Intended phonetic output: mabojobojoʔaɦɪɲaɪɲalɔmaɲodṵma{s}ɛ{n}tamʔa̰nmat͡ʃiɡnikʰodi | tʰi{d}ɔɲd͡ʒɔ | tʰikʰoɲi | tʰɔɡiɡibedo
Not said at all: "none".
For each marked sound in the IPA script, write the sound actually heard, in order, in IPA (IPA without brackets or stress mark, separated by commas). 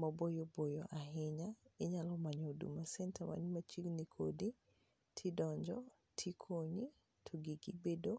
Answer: s, n, d